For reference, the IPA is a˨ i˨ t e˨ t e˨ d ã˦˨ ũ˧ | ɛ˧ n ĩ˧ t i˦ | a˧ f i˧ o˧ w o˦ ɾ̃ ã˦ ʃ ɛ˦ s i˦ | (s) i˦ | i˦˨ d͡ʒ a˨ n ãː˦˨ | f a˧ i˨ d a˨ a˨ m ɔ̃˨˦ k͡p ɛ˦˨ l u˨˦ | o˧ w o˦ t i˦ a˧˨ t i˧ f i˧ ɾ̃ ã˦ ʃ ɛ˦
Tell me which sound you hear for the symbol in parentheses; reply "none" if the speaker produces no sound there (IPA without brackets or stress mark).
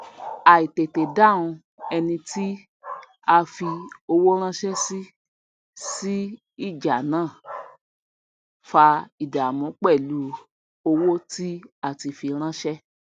s